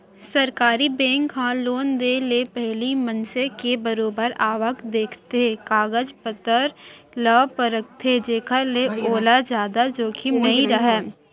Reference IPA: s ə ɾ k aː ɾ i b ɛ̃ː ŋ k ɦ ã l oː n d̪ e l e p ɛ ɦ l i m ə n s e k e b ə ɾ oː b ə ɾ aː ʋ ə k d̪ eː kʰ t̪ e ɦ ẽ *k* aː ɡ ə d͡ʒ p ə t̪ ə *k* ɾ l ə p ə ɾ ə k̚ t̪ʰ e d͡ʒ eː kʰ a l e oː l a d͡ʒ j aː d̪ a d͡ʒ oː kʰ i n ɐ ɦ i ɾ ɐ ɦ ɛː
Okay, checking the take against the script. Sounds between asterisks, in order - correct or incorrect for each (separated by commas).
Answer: correct, incorrect